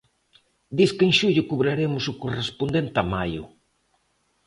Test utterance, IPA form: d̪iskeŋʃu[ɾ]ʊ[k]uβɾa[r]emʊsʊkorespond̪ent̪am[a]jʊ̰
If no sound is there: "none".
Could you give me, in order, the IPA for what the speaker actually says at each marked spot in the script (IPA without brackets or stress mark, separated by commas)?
ʎ, k, ɾ, a